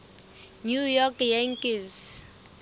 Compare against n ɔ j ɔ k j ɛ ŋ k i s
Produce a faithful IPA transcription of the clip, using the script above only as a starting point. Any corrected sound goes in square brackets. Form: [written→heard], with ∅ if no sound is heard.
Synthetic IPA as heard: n [ɔ→u] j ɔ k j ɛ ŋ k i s